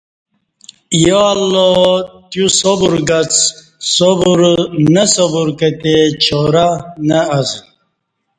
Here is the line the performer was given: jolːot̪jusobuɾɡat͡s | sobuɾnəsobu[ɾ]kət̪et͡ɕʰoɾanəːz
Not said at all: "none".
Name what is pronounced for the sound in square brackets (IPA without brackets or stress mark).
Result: ɾ